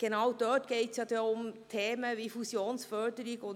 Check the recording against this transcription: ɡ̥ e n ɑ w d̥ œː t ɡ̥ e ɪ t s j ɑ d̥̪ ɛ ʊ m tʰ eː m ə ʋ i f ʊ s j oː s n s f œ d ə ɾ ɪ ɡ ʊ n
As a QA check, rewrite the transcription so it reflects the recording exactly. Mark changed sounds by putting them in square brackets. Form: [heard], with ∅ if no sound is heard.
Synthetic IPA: ɡ̥ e n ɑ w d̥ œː t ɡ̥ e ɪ t s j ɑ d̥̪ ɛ ʊ m tʰ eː m ə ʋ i f [u] s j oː [∅] n s f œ d ə ɾ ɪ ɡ ʊ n